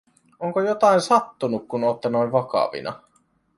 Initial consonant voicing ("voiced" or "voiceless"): voiced